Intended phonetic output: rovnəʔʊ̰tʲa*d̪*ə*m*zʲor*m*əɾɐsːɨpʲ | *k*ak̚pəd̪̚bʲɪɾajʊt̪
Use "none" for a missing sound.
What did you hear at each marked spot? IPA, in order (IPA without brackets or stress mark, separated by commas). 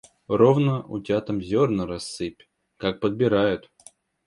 t̪, m, n, k